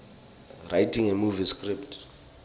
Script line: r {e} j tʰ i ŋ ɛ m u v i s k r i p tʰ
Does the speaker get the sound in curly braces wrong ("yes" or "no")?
yes